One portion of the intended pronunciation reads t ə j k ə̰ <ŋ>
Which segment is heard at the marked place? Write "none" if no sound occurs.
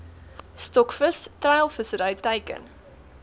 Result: n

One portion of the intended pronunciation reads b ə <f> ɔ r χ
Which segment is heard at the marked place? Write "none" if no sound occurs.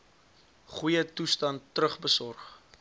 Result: s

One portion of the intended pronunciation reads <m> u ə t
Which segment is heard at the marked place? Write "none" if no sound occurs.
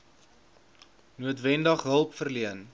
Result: n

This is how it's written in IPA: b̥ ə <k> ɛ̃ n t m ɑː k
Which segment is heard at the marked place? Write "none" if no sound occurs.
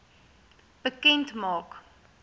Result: k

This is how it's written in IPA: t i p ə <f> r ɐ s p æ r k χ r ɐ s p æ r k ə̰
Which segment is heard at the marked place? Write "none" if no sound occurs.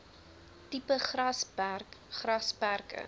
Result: χ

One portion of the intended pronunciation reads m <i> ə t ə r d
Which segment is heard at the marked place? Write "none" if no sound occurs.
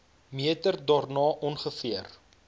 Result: i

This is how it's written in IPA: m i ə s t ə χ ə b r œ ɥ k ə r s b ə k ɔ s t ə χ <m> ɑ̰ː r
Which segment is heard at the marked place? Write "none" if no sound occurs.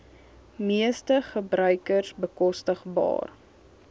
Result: b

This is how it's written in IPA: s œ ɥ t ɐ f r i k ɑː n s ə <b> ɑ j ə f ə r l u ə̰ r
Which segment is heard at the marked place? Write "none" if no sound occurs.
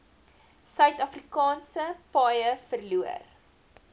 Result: p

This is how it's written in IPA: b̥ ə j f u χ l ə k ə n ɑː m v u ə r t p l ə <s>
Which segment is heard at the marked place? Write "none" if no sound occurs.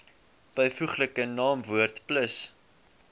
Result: s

